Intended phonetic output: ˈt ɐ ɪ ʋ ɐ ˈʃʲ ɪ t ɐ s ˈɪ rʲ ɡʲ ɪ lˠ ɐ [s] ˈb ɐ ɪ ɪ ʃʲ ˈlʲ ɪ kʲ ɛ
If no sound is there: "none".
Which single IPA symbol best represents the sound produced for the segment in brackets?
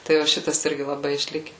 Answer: none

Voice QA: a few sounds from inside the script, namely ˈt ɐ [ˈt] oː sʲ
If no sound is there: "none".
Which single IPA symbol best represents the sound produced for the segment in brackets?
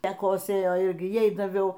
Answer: k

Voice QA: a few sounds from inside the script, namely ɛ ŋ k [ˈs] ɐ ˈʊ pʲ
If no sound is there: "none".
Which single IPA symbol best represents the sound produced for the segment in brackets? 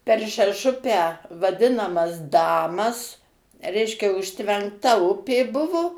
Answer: t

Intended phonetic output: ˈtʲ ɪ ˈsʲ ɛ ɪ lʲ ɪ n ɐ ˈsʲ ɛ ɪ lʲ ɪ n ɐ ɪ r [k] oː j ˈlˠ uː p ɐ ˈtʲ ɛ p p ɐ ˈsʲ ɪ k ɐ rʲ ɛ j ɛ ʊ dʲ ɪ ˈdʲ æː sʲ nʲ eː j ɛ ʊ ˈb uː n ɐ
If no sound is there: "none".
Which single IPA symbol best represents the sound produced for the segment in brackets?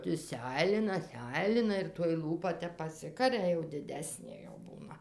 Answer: t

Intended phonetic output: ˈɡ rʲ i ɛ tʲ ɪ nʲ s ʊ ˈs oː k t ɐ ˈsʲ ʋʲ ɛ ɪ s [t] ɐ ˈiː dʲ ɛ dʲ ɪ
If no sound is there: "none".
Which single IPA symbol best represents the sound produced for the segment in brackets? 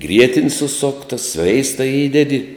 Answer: t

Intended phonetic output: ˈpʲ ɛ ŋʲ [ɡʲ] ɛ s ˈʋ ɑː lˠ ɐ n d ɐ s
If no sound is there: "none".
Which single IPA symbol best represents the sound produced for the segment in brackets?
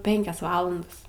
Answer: kʲ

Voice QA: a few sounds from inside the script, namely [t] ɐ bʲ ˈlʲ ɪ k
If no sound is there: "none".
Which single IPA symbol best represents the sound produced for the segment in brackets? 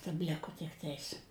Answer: t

